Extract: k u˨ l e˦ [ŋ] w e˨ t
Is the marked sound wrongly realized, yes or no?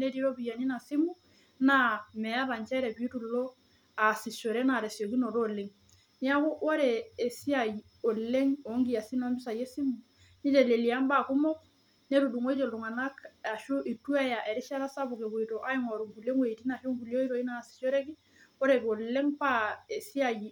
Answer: no